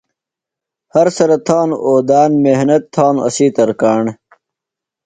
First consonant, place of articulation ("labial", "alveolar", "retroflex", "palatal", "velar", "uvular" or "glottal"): glottal